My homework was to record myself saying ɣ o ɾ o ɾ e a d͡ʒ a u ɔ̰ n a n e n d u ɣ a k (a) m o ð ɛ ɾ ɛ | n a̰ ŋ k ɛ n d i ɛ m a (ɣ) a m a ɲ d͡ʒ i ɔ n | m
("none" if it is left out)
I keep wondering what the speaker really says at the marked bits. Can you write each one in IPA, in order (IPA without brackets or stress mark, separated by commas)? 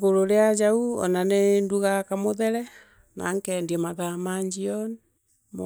a, ð